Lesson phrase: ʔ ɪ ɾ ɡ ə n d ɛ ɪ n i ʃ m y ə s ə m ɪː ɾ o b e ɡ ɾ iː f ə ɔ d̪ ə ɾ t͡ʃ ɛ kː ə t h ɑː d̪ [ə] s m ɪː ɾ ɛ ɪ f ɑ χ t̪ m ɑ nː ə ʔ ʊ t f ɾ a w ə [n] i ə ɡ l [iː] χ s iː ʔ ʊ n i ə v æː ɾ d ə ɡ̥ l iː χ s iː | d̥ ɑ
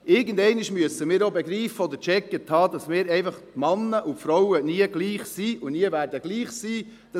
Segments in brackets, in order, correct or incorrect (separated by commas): incorrect, correct, correct